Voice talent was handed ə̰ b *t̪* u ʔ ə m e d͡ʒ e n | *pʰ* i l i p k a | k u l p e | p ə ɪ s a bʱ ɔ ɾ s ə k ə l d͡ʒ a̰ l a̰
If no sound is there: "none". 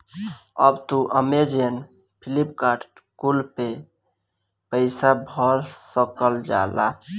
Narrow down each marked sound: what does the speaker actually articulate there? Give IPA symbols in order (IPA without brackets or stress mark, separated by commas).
t̪, pʰ